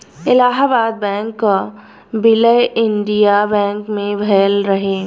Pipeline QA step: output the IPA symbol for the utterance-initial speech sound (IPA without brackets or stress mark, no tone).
ɪ